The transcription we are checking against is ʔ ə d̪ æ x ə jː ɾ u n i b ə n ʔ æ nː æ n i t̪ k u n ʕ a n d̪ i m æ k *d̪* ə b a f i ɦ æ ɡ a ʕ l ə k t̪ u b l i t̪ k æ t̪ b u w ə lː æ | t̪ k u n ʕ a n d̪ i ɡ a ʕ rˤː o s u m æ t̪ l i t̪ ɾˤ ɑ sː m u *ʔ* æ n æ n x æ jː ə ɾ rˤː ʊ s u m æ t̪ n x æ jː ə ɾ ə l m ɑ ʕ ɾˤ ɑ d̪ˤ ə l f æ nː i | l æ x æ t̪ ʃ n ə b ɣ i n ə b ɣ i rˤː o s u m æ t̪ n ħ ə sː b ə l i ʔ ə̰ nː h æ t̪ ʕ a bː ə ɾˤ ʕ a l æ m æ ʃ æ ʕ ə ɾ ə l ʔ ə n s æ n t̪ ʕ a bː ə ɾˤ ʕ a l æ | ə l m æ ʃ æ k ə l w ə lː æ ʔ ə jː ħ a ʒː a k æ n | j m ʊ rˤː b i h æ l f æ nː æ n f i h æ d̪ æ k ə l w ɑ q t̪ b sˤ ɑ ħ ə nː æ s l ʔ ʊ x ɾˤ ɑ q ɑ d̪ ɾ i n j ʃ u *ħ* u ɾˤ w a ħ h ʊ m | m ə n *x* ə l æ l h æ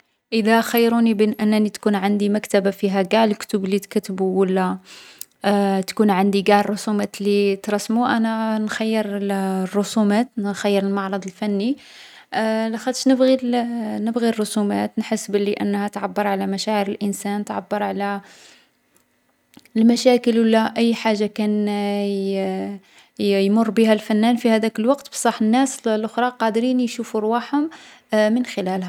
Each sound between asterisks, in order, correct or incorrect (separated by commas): incorrect, correct, incorrect, correct